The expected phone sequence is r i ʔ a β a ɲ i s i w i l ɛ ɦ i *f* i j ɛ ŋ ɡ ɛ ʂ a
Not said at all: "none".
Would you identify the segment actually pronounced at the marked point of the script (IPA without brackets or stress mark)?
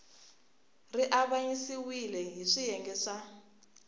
ʂ